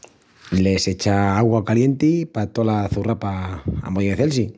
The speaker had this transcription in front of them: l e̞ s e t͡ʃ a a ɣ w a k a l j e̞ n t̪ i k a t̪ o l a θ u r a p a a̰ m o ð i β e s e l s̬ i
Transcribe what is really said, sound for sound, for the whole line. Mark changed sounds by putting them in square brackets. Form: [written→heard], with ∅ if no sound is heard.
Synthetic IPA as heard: l e̞ s e t͡ʃ a a ɣ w a k a l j e̞ n t̪ i [k→p] a t̪ o l a θ u r a p a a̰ m o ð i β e [s→θ] e l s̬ i